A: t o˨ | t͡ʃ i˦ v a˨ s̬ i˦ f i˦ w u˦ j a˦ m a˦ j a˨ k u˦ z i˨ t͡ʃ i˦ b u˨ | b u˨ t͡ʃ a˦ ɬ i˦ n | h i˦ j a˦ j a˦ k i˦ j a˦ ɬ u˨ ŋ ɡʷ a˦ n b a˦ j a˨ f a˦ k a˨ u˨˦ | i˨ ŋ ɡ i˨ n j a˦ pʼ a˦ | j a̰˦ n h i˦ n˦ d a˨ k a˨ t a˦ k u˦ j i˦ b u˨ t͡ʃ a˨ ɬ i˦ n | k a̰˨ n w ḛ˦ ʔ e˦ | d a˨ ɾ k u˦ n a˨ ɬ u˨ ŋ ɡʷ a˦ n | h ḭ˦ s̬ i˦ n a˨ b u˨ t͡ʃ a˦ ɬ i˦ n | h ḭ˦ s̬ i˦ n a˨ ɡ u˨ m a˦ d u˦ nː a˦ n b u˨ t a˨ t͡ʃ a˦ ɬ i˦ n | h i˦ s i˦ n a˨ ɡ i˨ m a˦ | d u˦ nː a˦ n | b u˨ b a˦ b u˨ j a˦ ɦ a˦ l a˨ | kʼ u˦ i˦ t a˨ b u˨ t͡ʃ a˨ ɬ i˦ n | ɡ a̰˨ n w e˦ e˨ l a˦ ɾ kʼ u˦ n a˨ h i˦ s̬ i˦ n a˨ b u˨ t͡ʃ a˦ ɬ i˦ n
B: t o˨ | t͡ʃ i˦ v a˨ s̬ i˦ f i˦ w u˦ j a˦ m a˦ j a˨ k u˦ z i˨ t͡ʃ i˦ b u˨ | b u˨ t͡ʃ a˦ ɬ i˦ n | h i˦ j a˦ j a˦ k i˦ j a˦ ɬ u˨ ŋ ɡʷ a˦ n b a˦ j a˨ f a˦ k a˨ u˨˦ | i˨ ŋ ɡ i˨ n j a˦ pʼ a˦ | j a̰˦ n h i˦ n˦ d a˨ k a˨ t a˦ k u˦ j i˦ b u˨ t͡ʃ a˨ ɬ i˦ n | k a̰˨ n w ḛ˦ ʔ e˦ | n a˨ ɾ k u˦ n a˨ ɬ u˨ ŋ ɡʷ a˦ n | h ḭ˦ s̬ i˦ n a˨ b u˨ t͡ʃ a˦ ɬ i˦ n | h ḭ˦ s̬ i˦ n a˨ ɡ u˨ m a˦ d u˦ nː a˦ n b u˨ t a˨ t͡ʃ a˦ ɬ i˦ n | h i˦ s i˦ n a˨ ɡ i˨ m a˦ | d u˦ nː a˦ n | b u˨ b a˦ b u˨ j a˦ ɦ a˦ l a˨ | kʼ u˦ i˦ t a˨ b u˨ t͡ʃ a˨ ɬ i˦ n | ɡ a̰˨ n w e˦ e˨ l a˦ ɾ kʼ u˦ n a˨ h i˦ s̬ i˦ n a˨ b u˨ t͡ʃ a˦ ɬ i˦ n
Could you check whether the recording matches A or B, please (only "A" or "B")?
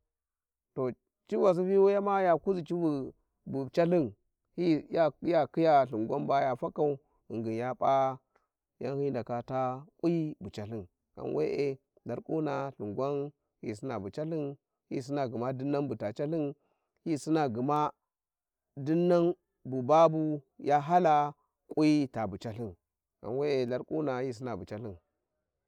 A